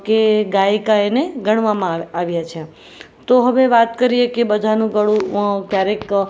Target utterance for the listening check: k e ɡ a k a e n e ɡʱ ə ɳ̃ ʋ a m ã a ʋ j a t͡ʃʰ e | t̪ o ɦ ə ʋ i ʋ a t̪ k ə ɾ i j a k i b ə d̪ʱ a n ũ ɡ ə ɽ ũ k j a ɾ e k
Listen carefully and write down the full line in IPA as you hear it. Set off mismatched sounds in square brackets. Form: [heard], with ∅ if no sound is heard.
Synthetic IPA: k e ɡ a k a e n e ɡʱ ə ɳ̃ ʋ a m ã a ʋ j a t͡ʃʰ e | t̪ o ɦ ə ʋ [e] ʋ a t̪ k ə ɾ i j [e] k [e] b ə d̪ʱ a n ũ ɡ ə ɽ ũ k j a ɾ e k